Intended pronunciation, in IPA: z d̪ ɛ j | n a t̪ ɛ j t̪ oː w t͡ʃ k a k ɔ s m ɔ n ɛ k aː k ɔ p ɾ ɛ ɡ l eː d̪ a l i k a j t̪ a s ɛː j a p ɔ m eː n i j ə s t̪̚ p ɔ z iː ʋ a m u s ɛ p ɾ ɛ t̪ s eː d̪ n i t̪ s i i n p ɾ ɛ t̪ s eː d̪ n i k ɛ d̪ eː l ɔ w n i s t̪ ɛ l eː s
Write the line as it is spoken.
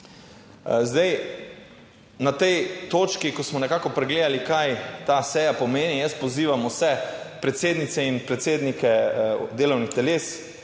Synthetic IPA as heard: z d̪ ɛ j | n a t̪ ɛ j t̪ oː t͡ʃ k i k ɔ s m ɔ n ɛ k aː k ɔ p ɾ ɛ ɡ l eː d̪ a l i k a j t̪ a s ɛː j a p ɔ m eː n i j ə s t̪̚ p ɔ z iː ʋ a m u s ɛ p ɾ ɛ t̪ s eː d̪ n i t̪ s ɛ i n p ɾ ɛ t̪ s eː d̪ n i k ɛ d̪ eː l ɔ w n i x t̪ ɛ l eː s

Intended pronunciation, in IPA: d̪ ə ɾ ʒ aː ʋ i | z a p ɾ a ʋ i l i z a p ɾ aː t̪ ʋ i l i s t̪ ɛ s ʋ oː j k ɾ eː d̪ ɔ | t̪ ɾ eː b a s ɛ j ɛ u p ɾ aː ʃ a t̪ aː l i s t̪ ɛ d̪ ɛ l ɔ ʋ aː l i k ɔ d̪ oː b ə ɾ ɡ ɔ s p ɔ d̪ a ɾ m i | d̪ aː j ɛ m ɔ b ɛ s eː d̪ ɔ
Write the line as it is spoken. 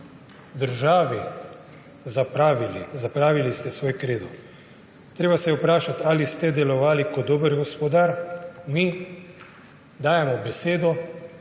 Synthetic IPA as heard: d̪ ə ɾ ʒ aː ʋ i | z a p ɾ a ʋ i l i z a p ɾ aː ʋ i l i s t̪ ɛ s ʋ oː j k ɾ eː d̪ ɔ | t̪ ɾ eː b a s ɛ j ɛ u p ɾ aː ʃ a t̪ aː l i s t̪ ɛ d̪ ɛ l ɔ ʋ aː l i k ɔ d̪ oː b ə ɾ ɡ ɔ s p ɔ d̪ a ɾ m i | d̪ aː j ɛ m ɔ b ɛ s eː d̪ ɔ

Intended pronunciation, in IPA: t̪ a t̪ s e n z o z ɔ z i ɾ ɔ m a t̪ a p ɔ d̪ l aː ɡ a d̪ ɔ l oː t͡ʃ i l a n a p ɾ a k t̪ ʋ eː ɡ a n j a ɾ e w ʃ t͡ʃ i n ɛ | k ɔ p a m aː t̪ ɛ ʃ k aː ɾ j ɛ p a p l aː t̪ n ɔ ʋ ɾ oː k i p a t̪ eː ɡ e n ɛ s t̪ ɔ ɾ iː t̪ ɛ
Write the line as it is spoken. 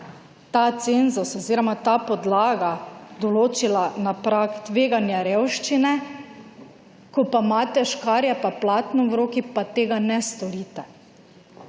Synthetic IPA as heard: t̪ a t̪ s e n z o s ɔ z i ɾ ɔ m a t̪ a p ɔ d̪ l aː ɡ a d̪ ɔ l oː t͡ʃ i l a n a p ɾ a k t̪ ʋ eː ɡ a n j a ɾ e w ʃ t͡ʃ i n ɛ | k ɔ p a m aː t̪ ɛ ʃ k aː ɾ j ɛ p a p l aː t̪ n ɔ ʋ ɾ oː k i p a t̪ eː ɡ a n ɛ s t̪ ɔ ɾ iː t̪ ɛ

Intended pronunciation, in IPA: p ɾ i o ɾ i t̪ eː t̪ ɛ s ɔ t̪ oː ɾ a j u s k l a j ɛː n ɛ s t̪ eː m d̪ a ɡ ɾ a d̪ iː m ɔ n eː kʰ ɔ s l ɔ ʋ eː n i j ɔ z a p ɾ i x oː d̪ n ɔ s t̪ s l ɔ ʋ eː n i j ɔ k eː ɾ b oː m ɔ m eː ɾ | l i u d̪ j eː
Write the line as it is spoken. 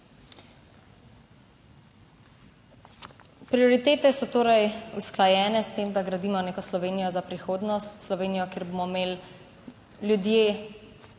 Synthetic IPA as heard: p ɾ i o ɾ i t̪ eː t̪ ɛ s ɔ t̪ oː ɾ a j u s k l a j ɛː n ɛ s t̪ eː m d̪ a ɡ ɾ a d̪ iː m ɔ n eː k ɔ s l ɔ ʋ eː n i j ɔ z a p ɾ i x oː d̪ n ɔ s t̪ s l ɔ ʋ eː n i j ɔ k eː ɾ b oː m ɔ m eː l | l j u d̪ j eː

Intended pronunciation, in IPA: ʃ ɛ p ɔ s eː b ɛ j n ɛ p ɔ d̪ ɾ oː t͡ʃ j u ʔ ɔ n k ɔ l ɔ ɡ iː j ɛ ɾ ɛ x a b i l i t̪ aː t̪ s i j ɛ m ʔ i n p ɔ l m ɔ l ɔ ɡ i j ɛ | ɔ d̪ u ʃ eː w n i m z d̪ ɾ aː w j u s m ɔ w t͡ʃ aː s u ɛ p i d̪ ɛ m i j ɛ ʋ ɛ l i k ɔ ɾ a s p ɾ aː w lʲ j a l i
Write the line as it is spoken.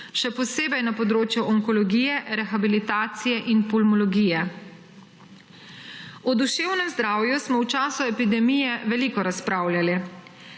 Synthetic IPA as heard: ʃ ɛ p ɔ s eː b ɛ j n a p ɔ d̪ ɾ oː t͡ʃ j u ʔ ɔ ŋ k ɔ l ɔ ɡ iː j ɛ ɾ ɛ x a b i l i t̪ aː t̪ s i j ɛ ʔ i n p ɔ l m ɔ l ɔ ɡ i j ɛ | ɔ d̪ u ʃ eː w n ɛ m z d̪ ɾ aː w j u s m ɔ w t͡ʃ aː s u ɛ p i d̪ ɛ m i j ɛ ʋ ɛ l i k ɔ ɾ a s p ɾ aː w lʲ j a l i

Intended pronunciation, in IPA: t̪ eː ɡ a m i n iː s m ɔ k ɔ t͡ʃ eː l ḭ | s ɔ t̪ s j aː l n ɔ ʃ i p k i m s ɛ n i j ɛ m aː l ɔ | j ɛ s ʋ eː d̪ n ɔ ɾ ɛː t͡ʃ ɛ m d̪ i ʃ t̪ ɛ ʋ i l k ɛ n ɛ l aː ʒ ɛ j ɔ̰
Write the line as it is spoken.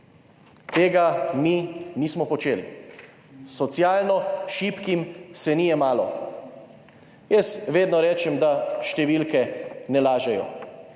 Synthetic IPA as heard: t̪ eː ɡ a m i n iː s m ɔ p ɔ t͡ʃ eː l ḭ | s ɔ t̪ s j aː l n ɔ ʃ i p k i m s ɛ n i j ɛ m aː l ɔ | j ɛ s ʋ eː d̪ n ɔ ɾ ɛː t͡ʃ ɛ m d̪ a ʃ t̪ ɛ ʋ i l k ɛ n ɛ l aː ʒ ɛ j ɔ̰

